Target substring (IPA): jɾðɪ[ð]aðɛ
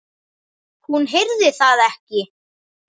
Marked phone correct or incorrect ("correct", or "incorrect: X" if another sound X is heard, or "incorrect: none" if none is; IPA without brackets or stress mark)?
incorrect: θ